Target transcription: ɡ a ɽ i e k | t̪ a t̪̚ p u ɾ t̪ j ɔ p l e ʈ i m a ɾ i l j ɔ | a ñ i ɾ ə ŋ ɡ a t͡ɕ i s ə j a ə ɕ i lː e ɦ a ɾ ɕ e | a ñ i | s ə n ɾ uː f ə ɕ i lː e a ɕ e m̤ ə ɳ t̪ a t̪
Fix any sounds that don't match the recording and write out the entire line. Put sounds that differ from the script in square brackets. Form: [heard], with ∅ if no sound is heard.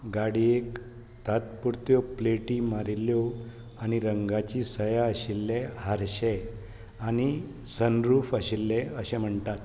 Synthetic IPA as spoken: ɡ a ɽ i e k | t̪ a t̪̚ p u ɾ t̪ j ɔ p l e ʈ i m a ɾ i l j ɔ | a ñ i ɾ ə ŋ ɡ a t͡ɕ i s ə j a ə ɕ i lː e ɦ a ɾ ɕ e | a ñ i | s ə n ɾ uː f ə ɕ i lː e [ə] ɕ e m̤ ə ɳ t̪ a t̪